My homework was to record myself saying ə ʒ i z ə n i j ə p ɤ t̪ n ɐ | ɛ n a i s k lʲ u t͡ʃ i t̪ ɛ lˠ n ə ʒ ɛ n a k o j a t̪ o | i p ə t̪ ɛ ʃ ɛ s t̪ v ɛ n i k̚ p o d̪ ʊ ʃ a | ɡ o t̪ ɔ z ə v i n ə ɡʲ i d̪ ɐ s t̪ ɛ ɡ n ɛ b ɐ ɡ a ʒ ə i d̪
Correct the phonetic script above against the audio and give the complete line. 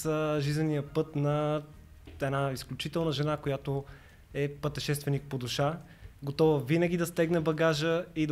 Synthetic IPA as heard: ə ʒ i z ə n i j ə p ɤ t̪ n ɐ | ɛ n a i s k lʲ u t͡ʃ i t̪ ɛ lˠ n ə ʒ ɛ n a k o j a t̪ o | ɛ p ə t̪ ɛ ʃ ɛ s t̪ v ɛ n i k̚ p o d̪ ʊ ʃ a | ɡ o t̪ ɔ v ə v i n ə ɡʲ i d̪ ɐ s t̪ ɛ ɡ n ɛ b ɐ ɡ a ʒ ə i d̪